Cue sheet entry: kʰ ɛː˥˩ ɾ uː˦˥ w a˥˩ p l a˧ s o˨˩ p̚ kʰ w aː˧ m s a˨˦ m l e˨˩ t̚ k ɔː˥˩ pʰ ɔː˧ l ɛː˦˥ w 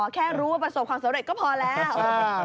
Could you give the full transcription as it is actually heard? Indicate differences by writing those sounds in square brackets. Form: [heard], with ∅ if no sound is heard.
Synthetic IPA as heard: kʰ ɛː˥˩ ɾ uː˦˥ w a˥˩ p [ɾ] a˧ s o˨˩ p̚ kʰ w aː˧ m s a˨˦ m [ɾ] e˨˩ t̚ k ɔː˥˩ pʰ ɔː˧ l ɛː˦˥ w